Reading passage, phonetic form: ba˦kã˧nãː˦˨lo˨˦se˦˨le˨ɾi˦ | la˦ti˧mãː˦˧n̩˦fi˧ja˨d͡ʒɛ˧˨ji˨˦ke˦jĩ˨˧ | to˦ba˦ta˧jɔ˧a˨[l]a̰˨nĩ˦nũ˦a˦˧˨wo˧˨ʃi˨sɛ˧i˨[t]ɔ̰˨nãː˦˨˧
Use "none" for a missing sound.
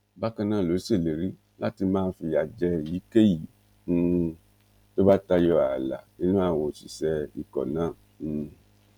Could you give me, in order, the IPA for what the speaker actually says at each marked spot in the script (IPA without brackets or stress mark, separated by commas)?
l, k